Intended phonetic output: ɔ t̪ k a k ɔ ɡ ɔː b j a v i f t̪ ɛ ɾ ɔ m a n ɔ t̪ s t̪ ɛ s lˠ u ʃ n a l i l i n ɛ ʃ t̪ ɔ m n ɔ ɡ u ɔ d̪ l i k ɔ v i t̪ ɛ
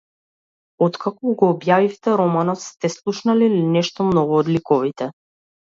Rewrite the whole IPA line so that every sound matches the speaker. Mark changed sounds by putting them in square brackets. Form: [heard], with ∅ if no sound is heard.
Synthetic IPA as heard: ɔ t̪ k a k ɔ ɡ ɔː b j a v i f t̪ ɛ ɾ ɔ m a n ɔ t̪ s t̪ ɛ s lˠ u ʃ n a l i l i n ɛ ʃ t̪ ɔ m n ɔ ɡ u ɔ d̪ l i k ɔ v i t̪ ɛ